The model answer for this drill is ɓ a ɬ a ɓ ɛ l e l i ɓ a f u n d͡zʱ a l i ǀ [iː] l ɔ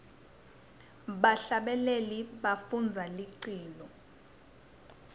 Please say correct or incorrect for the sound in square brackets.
correct